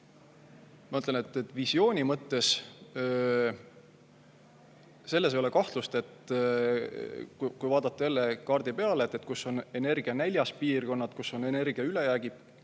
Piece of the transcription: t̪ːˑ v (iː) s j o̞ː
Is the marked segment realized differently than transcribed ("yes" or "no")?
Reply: yes